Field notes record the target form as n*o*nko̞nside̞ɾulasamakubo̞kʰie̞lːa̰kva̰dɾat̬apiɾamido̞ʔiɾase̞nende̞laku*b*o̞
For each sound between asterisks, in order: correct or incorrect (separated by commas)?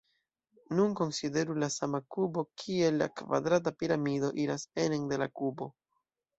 incorrect, correct